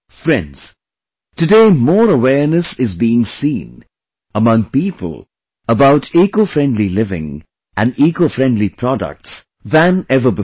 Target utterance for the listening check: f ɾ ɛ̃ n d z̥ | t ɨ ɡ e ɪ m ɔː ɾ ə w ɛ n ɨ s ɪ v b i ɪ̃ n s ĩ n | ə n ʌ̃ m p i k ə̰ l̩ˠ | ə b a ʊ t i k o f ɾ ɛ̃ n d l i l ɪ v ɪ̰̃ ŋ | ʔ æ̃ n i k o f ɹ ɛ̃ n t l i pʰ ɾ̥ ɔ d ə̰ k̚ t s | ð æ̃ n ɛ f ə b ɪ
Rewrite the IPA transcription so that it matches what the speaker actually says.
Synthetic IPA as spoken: f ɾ ɛ̃ n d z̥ | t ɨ d e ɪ m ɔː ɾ ə w ɛ n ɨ s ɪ z b i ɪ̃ ŋ s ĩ n | ə m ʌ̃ ŋ p i p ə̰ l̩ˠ | ə b a ʊ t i k o f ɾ ɛ̃ n d l i l ɪ v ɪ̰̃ ŋ | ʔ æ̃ n i k o f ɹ ɛ̃ n d l i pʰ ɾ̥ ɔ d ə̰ k̚ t s | ð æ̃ n ɛ v ə b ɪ